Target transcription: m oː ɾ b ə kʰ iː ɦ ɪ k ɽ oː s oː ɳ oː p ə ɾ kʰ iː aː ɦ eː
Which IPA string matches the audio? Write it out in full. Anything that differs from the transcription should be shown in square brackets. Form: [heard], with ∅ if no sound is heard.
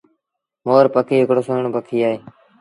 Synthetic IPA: m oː ɾ [p] ə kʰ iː ɦ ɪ k ɽ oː s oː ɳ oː p ə [∅] kʰ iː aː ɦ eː